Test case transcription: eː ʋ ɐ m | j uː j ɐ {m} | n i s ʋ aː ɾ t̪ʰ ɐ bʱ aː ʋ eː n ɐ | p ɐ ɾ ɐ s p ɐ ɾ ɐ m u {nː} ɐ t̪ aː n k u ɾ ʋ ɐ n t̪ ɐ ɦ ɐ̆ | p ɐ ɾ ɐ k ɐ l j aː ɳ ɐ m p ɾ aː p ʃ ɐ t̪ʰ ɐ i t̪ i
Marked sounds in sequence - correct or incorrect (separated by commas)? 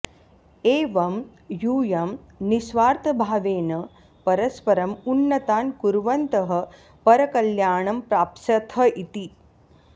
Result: correct, correct